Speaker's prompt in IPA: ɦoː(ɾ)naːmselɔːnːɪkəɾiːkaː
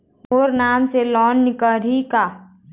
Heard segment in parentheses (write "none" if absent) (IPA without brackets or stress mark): ɾ